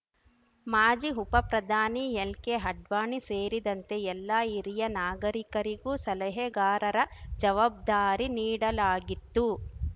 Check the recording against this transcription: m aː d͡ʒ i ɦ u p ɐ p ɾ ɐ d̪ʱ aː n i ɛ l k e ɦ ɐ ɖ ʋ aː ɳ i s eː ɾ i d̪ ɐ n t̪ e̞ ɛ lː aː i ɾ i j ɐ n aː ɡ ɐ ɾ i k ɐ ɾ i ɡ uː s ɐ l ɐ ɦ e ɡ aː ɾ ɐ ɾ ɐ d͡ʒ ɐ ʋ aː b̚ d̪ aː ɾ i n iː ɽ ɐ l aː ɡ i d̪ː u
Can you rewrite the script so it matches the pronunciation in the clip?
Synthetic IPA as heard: m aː d͡ʒ i ɦ u p ɐ p ɾ ɐ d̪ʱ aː n i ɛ l k e ɦ ɐ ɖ ʋ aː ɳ i s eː ɾ i d̪ ɐ n t̪ e̞ ɛ lː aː i ɾ i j ɐ n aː ɡ ɐ ɾ i k ɐ ɾ i ɡ uː s ɐ l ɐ ɦ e ɡ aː ɾ ɐ ɾ ɐ d͡ʒ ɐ ʋ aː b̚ d̪ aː ɾ i n iː ɽ ɐ l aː ɡ i t̪ː u